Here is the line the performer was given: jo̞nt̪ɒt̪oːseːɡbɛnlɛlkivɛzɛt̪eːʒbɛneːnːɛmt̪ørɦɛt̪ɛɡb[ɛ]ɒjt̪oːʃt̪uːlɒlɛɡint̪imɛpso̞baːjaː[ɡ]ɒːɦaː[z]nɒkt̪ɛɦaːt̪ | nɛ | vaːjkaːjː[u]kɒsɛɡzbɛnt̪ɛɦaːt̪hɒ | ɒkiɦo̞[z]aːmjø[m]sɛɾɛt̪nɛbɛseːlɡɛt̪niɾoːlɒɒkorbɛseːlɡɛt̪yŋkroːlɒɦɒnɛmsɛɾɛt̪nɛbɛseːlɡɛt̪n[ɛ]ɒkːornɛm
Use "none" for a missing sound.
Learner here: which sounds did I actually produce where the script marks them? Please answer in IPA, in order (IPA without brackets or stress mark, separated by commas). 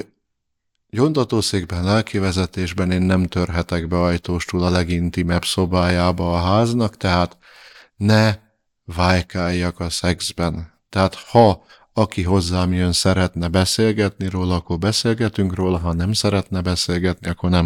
ɛ, b, z, ɒ, zː, n, i